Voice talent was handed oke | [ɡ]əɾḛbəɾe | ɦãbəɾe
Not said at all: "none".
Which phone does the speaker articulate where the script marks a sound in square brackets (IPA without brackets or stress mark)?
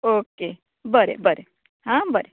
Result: b